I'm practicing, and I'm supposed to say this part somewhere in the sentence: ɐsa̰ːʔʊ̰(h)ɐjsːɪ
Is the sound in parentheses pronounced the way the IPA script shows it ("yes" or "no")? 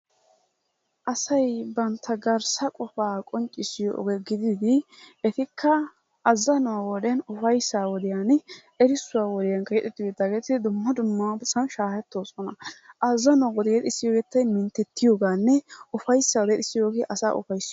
no